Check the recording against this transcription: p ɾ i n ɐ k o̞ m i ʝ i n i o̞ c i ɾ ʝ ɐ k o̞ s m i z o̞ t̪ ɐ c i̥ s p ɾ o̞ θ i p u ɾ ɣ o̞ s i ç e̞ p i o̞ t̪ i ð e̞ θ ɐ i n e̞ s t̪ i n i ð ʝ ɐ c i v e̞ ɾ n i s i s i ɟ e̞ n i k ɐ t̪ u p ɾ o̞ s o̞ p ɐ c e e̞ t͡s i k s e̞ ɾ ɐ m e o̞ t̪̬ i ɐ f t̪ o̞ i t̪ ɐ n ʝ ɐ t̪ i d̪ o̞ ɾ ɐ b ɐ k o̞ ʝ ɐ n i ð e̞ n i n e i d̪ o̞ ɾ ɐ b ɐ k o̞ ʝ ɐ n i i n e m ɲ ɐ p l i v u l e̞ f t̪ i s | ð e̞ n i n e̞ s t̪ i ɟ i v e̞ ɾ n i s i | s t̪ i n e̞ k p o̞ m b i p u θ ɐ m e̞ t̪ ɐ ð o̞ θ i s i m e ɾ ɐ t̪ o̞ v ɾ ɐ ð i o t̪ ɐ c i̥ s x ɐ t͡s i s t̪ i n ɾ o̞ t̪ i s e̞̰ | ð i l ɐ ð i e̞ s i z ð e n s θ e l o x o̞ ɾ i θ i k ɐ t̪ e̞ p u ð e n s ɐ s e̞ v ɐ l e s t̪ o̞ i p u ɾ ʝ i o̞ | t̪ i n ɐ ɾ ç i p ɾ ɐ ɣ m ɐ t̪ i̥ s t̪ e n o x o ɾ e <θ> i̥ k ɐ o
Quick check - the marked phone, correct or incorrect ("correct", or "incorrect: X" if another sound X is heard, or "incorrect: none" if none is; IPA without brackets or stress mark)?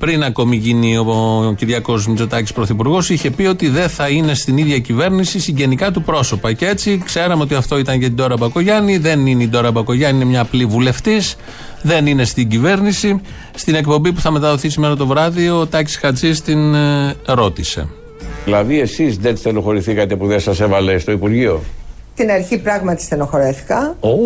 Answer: correct